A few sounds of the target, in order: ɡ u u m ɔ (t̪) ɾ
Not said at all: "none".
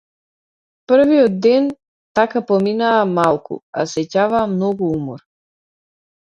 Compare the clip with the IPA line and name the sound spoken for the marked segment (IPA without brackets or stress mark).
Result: none